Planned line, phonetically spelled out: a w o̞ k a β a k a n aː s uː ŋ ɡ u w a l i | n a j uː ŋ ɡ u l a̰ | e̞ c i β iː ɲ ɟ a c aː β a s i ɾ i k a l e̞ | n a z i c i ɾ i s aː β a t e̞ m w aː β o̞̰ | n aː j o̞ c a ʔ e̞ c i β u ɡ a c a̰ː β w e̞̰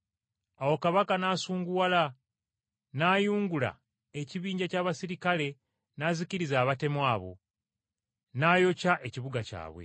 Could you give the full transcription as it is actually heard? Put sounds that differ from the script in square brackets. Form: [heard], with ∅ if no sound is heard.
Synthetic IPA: a w o̞ k a β a k a n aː s uː ŋ ɡ u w a l [a] | n a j uː ŋ ɡ u l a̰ | e̞ c i β iː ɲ ɟ a c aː β a s i ɾ i k a l e̞ | n a z i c i ɾ i [z] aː β a t e̞ m w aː β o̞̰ | n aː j o̞ c a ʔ e̞ c i β u ɡ a c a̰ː β w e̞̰